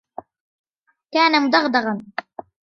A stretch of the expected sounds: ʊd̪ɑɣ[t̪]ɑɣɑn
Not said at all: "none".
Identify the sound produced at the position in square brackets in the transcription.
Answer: d̪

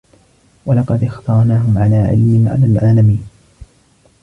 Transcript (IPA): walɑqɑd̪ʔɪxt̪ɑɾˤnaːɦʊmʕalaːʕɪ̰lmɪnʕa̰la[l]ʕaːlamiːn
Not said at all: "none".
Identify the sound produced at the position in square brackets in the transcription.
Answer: l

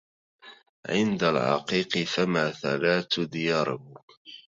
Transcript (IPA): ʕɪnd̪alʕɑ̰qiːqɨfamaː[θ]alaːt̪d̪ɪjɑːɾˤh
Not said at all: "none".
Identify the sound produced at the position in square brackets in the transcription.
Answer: θ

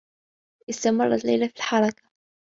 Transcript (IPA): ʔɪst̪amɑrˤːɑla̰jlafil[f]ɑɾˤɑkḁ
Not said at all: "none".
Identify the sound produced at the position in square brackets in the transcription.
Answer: ħ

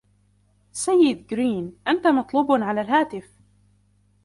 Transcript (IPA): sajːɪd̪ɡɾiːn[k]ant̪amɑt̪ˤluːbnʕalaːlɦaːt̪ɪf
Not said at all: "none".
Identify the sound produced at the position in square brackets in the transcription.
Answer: ʔ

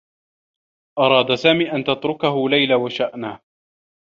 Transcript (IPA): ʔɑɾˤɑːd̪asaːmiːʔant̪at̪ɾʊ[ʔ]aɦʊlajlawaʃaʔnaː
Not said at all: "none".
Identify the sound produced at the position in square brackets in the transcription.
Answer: k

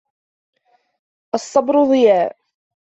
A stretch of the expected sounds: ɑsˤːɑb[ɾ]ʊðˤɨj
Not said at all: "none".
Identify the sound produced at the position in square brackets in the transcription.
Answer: ɾ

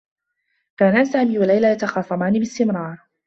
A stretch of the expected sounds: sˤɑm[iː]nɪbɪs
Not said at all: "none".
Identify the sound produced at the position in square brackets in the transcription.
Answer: aː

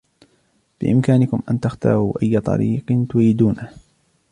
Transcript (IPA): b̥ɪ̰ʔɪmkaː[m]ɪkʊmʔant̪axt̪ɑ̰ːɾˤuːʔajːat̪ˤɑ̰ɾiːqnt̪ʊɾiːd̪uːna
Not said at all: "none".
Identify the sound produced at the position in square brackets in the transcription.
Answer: n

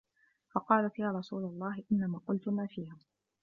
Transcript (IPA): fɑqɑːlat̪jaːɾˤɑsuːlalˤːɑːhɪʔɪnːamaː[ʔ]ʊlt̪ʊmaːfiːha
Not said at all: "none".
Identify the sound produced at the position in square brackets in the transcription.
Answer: q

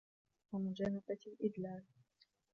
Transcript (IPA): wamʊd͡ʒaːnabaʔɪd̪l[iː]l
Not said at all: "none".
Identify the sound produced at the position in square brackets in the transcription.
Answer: aː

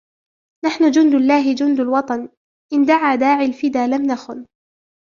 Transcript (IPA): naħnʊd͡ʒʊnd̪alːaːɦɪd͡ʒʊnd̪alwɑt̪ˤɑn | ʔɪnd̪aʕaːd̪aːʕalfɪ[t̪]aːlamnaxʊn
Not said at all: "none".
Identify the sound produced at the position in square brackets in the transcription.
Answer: d̪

